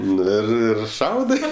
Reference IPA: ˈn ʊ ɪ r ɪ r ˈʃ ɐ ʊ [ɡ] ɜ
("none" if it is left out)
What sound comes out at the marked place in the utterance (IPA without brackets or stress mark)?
d